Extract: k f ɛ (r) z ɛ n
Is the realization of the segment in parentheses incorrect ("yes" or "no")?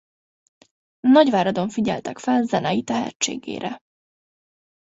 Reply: yes